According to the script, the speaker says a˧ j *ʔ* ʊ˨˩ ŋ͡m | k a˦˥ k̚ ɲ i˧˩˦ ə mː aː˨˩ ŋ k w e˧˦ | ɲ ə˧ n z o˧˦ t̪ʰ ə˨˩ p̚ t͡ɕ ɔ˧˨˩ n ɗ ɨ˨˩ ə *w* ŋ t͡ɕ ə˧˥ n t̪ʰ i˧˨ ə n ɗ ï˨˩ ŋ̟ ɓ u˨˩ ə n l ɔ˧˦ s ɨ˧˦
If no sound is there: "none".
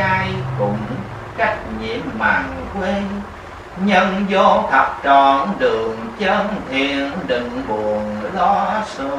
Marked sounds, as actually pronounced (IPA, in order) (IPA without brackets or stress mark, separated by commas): k, none